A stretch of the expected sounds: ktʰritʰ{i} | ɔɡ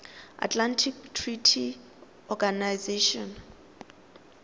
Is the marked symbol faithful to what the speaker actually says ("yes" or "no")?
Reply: yes